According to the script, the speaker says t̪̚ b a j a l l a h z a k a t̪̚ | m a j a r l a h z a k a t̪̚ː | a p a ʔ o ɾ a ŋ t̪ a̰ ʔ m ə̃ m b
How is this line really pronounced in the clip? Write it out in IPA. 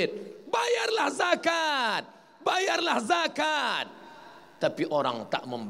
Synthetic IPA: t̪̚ b a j a r l a h z a k a t̪̚ | b a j a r l a h z a k a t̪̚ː | a p i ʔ o ɾ a ŋ t̪ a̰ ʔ m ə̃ m b